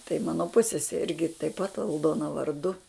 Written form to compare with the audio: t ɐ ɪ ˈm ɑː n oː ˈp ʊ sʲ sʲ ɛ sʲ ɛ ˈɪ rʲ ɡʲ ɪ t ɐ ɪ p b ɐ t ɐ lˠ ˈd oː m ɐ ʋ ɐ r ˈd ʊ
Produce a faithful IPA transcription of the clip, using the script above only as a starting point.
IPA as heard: t ɐ ɪ ˈm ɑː n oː ˈp ʊ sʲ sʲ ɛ sʲ ɛ ˈɪ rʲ ɡʲ ɪ t ɐ ɪ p p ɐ t ɐ lˠ ˈd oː n ɐ ʋ ɐ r ˈd ʊ